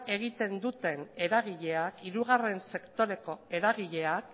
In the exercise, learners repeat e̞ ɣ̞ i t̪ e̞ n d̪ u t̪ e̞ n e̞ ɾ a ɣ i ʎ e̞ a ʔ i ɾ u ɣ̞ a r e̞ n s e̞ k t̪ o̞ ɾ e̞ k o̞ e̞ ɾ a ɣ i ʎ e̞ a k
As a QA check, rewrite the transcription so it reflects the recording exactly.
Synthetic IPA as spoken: e̞ ɣ̞ i t̪ e̞ n d̪ u t̪ e̞ n e̞ ɾ a ɣ i ʎ e̞ a k i ɾ u ɣ̞ a r e̞ n s e̞ k t̪ o̞ ɾ e̞ k o̞ e̞ ɾ a ɣ i ʎ e̞ a k